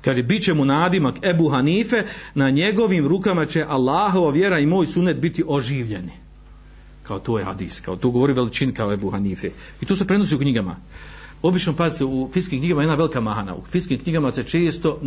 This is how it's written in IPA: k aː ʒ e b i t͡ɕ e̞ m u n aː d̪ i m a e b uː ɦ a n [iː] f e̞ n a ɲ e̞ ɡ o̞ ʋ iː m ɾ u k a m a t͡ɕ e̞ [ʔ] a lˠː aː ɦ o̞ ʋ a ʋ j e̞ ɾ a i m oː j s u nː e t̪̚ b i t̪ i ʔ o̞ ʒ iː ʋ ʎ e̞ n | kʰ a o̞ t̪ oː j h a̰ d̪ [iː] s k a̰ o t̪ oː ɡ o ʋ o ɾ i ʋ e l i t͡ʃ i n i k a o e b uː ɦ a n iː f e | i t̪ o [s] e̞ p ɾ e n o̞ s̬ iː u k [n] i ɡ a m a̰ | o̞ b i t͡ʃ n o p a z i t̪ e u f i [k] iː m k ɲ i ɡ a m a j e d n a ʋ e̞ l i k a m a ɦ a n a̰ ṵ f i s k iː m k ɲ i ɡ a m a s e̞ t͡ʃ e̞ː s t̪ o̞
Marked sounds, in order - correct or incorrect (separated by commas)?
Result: correct, correct, correct, correct, incorrect, correct